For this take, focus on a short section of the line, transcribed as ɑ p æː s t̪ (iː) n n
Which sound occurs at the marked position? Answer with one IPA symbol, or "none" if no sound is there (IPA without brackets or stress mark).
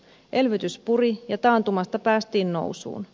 iː